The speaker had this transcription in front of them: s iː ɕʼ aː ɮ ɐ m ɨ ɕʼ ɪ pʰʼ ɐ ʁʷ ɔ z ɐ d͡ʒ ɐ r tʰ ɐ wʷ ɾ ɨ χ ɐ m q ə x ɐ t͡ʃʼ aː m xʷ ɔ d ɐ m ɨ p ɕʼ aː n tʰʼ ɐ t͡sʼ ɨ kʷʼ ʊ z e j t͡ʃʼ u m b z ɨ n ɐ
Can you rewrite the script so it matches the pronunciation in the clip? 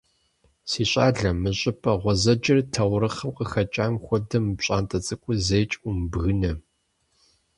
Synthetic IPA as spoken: s iː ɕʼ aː ɮ ɐ m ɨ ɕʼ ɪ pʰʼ ɐ ʁʷ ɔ z ɐ d͡ʒ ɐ r tʰ ɐ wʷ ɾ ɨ χ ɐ m q ə x ɐ t͡ʃʼ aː m xʷ ɔ d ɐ m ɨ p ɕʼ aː n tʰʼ ɐ t͡sʼ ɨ kʷʼ ʊ z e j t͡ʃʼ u m b ɣ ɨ n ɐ

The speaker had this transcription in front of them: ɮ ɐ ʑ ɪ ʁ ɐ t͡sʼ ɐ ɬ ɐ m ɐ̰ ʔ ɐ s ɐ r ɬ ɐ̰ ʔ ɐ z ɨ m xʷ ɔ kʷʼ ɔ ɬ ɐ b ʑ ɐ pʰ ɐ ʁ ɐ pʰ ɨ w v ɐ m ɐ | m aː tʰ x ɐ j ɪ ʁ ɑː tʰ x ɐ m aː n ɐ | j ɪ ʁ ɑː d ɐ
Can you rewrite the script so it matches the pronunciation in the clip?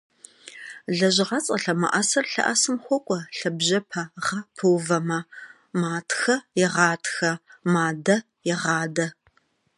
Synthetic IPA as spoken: ɮ ɐ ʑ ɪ ʁ ɐ t͡sʼ ɐ ɬ ɐ m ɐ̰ ʔ ɐ s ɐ r ɬ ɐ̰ ʔ ɐ s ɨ m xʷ ɔ kʷʼ ɔ ɬ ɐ b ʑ ɐ pʰ ɐ ʁ ɐ pʰ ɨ w v ɐ m ɐ | m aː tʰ x ɐ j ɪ ʁ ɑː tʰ x ɐ m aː d ɐ | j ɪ ʁ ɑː d ɐ

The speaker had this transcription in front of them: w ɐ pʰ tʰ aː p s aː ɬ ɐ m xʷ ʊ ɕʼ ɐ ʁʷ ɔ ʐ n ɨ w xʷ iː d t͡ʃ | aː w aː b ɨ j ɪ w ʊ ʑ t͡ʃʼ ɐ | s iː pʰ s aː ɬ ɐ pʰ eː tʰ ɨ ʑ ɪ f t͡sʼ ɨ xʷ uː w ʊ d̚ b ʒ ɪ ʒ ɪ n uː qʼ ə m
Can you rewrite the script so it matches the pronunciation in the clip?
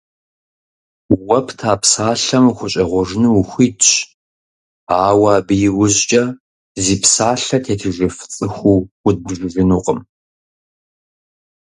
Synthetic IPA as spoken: w ɐ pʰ tʰ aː p s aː ɬ ɐ m xʷ ʊ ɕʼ ɐ ʁʷ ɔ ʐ n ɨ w xʷ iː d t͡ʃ | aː w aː b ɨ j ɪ w ʊ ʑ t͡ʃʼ ɐ | z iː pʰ s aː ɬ ɐ tʰ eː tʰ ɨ ʒ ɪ f t͡sʼ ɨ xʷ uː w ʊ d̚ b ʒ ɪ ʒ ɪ n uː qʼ ə m

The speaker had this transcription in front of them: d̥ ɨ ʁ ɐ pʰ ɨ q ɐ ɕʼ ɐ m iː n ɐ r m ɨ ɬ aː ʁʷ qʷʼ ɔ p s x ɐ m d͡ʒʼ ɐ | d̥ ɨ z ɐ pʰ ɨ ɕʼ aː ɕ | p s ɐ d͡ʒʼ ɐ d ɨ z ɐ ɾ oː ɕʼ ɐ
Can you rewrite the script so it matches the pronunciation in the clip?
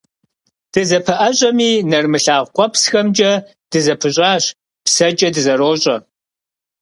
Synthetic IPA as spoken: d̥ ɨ z ɐ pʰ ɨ ʔ ɐ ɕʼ ɐ m iː n ɐ r m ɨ ɬ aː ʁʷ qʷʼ ɔ p s x ɐ m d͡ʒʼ ɐ | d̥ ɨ z ɐ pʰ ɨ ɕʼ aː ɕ | p s ɐ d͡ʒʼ ɐ d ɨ z ɐ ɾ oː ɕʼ ɐ

